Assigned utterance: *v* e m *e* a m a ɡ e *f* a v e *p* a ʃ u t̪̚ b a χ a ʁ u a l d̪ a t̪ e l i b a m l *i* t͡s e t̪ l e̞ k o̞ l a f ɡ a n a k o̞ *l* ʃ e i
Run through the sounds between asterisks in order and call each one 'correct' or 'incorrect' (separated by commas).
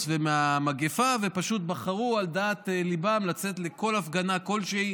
correct, correct, correct, correct, incorrect, correct